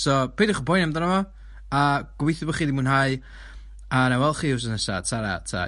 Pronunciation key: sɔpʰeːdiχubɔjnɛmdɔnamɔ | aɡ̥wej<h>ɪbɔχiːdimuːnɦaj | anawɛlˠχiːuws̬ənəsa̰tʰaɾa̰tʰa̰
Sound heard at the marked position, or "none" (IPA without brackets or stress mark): θ